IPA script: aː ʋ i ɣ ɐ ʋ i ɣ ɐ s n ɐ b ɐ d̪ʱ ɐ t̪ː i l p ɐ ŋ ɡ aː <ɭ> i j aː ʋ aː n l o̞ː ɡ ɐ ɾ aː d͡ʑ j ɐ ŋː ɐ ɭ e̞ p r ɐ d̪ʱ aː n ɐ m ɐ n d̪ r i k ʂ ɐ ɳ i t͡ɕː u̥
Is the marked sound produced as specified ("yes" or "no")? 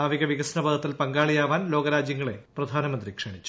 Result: yes